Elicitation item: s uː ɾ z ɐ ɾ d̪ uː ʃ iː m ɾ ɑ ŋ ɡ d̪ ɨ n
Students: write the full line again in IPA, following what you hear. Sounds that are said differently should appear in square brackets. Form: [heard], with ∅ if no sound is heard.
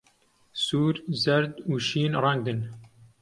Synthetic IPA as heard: s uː ɾ z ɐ ɾ d̪ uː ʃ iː [n] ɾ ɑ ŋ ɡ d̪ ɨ n

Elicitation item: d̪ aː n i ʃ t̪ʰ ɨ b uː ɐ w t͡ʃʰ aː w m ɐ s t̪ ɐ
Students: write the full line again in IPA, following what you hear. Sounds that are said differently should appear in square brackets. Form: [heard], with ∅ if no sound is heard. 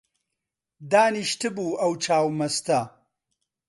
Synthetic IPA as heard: d̪ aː n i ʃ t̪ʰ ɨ b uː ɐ w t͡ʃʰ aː w m ɐ s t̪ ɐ

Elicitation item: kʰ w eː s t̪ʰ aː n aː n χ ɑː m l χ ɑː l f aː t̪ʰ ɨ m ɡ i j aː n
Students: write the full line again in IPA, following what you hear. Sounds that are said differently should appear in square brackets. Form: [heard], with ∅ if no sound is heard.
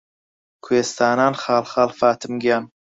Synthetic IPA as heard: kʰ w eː s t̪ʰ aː n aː n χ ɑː [∅] l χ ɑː l f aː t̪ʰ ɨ m ɡ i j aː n

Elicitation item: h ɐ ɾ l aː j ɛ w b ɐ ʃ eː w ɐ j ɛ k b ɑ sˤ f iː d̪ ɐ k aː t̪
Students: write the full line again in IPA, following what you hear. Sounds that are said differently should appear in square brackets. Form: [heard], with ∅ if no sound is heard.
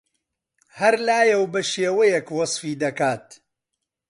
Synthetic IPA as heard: h ɐ ɾ l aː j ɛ w b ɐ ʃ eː w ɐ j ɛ k [w] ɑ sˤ f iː d̪ ɐ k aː t̪

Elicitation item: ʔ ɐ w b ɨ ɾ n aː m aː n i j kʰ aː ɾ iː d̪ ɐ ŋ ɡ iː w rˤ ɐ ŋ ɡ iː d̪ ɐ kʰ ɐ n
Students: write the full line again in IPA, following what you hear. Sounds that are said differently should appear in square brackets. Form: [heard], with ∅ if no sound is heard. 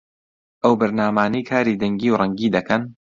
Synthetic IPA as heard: ʔ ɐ w b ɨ ɾ n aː m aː n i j kʰ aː ɾ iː d̪ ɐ ŋ ɡ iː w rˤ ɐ ŋ ɡ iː d̪ ɐ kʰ ɐ n

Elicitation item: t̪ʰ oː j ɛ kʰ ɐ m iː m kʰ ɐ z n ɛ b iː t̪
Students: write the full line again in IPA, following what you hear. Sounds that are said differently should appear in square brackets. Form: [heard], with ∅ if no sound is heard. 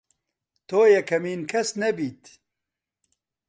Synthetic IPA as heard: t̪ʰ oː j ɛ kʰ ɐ m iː [n] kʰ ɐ [s] n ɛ b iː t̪

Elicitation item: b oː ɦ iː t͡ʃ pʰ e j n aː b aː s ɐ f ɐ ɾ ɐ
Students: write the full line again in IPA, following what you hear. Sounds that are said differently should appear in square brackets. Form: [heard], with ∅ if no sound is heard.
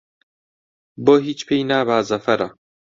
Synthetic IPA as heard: b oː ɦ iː t͡ʃ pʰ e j n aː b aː [z] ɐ f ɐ ɾ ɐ

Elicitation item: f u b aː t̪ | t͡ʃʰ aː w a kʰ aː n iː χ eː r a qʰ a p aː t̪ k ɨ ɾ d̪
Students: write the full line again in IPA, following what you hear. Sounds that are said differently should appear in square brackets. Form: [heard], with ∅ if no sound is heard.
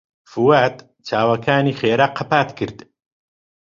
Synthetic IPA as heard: f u [w] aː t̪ | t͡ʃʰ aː w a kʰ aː n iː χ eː [ɾ] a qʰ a p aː t̪ k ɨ ɾ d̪

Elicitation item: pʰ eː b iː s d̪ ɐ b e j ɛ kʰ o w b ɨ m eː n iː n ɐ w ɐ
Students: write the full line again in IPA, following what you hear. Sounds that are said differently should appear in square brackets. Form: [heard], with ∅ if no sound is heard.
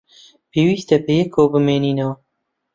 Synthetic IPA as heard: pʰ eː [w] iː s [t̪] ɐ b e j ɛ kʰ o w b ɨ m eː n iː n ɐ w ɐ

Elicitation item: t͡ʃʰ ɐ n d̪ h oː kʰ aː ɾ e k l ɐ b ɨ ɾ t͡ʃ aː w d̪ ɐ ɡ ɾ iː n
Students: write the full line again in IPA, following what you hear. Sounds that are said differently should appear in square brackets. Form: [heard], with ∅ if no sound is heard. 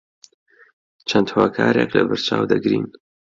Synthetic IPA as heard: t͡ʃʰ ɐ n d̪ h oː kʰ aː ɾ e k l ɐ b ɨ ɾ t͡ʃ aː w d̪ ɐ ɡ ɾ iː n

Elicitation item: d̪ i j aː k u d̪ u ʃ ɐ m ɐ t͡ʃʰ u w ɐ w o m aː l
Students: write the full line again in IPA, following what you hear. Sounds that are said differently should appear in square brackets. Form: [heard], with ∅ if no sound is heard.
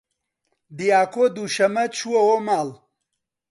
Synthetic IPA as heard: d̪ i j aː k [o] d̪ u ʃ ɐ m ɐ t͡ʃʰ u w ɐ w o m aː l

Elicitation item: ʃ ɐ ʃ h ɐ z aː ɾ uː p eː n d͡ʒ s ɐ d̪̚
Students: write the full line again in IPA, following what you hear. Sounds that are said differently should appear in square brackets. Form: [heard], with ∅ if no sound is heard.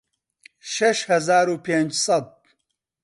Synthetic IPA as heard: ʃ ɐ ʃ h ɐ z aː ɾ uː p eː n d͡ʒ s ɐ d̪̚

